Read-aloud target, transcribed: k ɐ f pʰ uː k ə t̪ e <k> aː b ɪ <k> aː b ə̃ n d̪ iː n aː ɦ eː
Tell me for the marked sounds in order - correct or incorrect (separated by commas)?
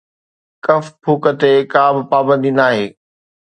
correct, incorrect